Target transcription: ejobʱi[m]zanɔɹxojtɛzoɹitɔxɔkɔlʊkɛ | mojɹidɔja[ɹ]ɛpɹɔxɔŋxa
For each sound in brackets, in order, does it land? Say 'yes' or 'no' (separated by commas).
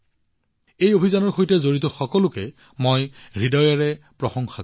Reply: no, yes